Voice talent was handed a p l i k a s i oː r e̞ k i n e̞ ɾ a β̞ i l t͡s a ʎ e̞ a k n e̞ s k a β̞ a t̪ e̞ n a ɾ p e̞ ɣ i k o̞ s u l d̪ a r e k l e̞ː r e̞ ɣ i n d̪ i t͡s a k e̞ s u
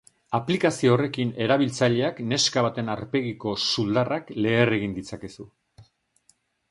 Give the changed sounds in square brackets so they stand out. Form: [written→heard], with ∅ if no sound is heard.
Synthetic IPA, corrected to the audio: a p l i k a s i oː r e̞ k i n e̞ ɾ a β̞ i l t͡s a ʎ e̞ a k n e̞ s k a β̞ a t̪ e̞ n a ɾ p e̞ ɣ i k o̞ s u l d̪ a r [e→a] k l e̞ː r e̞ ɣ i n d̪ i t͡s a k e̞ s u